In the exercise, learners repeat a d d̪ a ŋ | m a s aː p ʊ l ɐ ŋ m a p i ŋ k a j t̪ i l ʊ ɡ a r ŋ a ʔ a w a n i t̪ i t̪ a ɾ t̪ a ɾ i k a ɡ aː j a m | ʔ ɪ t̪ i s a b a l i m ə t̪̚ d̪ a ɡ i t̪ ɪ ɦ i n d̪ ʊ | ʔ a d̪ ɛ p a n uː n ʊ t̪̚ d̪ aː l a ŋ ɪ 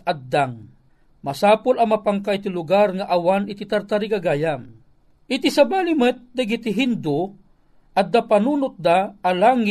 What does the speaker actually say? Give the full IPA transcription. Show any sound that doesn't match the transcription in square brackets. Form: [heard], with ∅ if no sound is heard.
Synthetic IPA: a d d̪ a ŋ | m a s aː p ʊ l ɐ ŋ m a p [a] ŋ k a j t̪ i l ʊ ɡ a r ŋ a ʔ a w a n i t̪ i t̪ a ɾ t̪ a ɾ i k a ɡ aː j a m | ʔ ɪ t̪ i s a b a l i m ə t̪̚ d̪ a ɡ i t̪ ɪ ɦ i n d̪ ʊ | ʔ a d̪ [a] p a n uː n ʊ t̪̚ d̪ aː l a ŋ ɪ